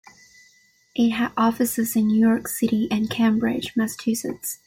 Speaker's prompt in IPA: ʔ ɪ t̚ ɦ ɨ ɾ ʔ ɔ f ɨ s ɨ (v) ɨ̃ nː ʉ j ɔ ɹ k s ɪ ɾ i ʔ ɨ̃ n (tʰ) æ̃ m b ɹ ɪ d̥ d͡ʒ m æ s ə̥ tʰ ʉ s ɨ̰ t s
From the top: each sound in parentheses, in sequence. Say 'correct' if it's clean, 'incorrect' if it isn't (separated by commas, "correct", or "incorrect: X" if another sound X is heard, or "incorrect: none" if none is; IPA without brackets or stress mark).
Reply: incorrect: z, incorrect: kʰ